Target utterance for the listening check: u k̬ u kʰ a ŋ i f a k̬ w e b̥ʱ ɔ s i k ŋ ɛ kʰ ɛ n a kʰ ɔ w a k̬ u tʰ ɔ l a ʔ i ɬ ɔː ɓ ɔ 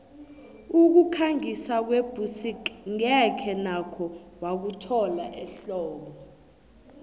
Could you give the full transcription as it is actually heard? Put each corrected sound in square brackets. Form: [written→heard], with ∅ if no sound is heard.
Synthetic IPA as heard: u k̬ u kʰ a ŋ i [f→s] a k̬ w e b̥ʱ [ɔ→u] s i k ŋ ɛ kʰ ɛ n a kʰ ɔ w a k̬ u tʰ ɔ l a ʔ [i→ɛ] ɬ ɔː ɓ ɔ